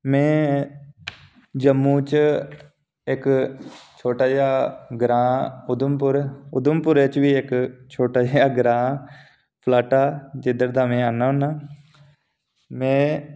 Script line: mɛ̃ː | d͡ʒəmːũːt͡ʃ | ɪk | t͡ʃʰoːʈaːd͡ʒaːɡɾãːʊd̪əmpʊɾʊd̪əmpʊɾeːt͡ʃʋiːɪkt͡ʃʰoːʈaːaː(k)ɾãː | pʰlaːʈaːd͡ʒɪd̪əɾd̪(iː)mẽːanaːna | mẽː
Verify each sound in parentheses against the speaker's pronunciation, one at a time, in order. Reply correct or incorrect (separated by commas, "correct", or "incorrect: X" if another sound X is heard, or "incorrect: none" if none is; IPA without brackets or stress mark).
incorrect: ɡ, incorrect: aː